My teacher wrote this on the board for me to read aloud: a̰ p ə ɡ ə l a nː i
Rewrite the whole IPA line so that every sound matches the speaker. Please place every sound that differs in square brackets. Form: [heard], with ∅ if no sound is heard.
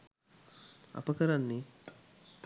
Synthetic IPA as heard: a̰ p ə [k] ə [ɾ] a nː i